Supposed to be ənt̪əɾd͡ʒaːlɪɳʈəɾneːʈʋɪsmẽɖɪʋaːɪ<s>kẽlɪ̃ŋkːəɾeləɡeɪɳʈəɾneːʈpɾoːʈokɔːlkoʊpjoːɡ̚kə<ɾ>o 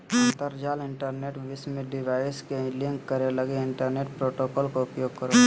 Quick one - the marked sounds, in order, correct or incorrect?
correct, correct

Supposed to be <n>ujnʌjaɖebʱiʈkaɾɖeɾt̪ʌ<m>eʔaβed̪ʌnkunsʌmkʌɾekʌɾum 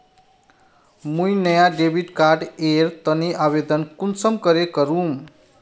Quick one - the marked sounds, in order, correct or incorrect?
incorrect: m, incorrect: n

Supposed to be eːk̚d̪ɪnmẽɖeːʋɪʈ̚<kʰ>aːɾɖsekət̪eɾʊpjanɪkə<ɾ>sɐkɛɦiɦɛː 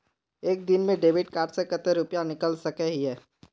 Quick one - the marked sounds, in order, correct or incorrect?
incorrect: k, incorrect: l

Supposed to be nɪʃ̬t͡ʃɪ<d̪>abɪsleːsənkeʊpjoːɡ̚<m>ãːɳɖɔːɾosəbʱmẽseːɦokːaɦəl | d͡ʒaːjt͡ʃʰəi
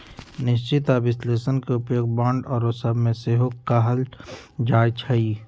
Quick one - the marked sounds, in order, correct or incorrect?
incorrect: t̪, incorrect: b

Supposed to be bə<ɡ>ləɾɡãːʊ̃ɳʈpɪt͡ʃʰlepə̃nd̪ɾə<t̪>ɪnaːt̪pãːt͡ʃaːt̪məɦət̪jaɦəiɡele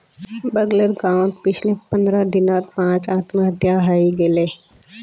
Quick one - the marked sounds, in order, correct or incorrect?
correct, incorrect: d̪

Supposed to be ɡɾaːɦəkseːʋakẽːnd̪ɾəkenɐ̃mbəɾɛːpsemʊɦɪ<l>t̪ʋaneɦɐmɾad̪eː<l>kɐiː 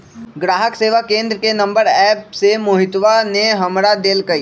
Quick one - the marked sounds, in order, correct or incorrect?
incorrect: none, correct

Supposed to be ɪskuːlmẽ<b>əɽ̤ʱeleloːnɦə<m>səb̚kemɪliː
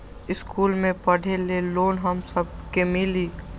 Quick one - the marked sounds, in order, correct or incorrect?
incorrect: p, correct

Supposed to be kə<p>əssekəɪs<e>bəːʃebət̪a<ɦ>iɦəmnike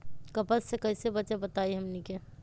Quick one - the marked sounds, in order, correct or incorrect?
correct, correct, incorrect: none

